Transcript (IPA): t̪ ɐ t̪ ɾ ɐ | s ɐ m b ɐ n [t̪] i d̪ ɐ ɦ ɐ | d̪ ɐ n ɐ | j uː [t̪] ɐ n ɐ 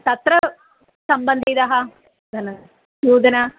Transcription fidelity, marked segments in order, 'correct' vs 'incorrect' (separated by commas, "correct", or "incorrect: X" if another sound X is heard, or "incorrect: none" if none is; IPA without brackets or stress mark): incorrect: d̪, incorrect: d̪